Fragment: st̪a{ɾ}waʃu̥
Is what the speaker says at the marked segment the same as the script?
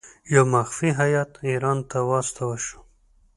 no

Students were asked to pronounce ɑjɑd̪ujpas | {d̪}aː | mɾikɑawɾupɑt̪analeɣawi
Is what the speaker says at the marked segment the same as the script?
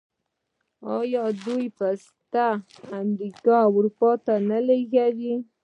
no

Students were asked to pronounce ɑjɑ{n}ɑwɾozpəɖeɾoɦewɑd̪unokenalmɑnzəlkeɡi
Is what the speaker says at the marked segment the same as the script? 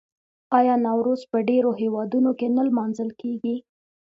yes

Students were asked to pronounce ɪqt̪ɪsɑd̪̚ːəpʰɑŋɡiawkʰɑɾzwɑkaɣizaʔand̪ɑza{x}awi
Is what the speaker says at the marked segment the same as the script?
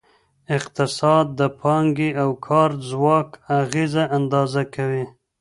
no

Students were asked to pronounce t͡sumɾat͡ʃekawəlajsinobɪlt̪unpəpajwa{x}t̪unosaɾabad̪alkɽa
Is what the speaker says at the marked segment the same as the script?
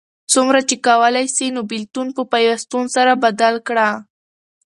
no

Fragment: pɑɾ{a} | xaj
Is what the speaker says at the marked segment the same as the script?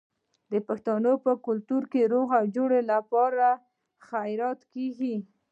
yes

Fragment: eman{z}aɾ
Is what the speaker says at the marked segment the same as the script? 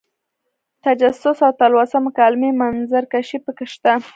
yes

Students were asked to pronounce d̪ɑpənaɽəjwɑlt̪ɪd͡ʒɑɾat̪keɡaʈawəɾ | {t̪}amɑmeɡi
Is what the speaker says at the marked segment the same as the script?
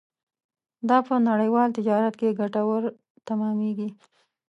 yes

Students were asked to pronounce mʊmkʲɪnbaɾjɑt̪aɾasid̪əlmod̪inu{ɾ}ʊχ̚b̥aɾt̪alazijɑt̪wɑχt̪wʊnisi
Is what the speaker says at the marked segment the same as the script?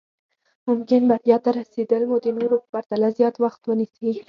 yes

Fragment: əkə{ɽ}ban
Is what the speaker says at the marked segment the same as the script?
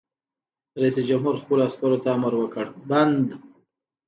yes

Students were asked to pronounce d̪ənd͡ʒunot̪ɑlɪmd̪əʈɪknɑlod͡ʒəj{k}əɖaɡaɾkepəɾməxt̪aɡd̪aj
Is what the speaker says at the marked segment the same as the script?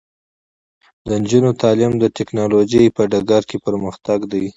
no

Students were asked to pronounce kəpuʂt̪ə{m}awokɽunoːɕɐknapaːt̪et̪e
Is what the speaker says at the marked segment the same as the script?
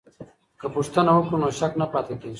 no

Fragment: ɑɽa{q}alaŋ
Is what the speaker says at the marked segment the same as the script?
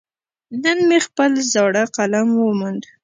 yes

